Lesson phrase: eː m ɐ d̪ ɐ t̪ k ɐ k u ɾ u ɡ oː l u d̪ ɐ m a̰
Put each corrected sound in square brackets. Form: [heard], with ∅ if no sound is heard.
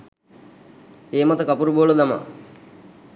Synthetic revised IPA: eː m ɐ [t̪] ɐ [∅] k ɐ [p] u ɾ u [b] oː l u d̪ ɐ m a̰